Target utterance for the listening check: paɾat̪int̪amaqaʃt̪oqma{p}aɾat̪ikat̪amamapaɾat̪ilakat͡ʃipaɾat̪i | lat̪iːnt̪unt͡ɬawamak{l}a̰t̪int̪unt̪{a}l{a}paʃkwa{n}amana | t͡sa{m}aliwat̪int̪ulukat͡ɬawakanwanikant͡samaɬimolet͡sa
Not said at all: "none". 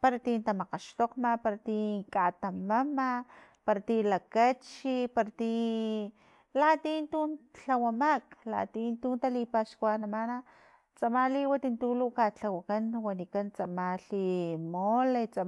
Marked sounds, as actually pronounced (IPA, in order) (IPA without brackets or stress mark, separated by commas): p, l, a, i, n, m